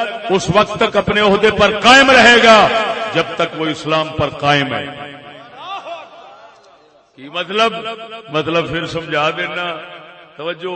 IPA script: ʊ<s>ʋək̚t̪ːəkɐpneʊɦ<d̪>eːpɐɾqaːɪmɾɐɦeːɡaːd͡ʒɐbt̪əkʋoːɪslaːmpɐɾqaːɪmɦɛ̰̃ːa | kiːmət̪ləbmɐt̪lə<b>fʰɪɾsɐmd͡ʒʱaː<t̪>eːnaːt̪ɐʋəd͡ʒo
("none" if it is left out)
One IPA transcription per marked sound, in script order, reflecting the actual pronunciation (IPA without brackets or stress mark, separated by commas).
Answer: s, d̪, b, d̪